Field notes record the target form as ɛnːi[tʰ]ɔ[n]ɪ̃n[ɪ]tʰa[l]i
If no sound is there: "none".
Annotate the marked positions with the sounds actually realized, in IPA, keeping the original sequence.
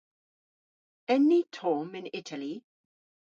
tʰ, m, ɪ, l

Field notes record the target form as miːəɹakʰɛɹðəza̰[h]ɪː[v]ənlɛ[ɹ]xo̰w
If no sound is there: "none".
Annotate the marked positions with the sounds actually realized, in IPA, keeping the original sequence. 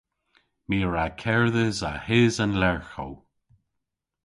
h, z, ɹ

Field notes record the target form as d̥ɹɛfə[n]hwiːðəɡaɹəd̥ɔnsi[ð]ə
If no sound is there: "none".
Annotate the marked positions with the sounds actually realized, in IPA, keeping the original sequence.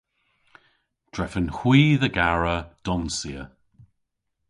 n, none

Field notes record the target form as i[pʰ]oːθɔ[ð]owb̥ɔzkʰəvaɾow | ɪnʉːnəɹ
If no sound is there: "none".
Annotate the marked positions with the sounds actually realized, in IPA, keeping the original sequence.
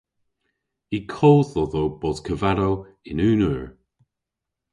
kʰ, ð

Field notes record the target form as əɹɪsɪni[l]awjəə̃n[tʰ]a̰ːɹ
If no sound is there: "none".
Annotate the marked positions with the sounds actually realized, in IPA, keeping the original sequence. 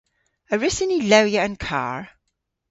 l, kʰ

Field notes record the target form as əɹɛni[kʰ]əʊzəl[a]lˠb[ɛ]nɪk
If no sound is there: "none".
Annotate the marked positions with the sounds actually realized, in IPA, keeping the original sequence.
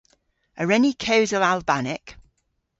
kʰ, a, a

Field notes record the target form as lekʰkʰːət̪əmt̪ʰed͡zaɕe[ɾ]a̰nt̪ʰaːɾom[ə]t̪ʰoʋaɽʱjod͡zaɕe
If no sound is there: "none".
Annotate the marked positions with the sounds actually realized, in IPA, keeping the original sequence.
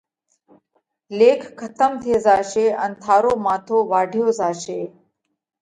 none, a

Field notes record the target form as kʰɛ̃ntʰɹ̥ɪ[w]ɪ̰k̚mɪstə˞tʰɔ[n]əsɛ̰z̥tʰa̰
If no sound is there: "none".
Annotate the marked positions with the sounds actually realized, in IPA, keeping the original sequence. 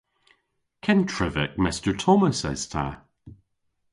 v, m

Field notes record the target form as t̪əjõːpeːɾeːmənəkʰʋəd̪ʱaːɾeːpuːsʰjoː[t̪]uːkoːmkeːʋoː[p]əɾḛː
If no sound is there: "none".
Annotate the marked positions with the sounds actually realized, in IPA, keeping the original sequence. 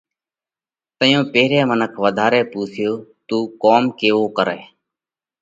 t̪, k

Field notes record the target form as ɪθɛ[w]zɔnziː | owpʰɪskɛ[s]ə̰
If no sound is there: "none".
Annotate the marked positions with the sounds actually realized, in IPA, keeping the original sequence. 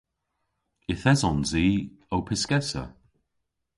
none, s

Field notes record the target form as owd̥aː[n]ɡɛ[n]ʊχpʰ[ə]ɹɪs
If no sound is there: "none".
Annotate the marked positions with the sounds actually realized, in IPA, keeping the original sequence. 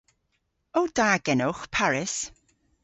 none, n, a

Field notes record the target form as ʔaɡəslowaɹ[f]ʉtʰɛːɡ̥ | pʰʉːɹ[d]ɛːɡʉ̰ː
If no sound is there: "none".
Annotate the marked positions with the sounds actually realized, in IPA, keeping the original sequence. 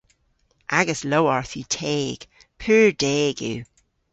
θ, d

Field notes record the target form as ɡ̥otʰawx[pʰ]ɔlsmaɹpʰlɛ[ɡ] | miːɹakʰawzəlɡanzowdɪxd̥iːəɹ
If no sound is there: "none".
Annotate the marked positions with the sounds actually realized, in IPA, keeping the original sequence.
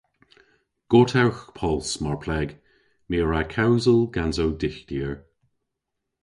pʰ, ɡ

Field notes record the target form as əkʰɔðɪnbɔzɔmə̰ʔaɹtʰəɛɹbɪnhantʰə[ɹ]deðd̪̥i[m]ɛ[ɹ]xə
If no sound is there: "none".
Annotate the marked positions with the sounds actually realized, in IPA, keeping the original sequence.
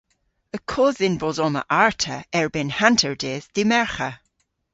ɹ, m, ɹ

